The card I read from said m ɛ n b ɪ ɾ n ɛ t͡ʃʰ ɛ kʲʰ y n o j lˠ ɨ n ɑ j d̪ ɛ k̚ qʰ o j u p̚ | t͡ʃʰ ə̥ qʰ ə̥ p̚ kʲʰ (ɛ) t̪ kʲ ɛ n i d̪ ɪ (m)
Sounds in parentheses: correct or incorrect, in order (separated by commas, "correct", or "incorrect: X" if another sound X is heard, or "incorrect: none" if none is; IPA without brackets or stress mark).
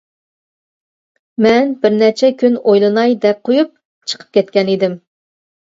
correct, correct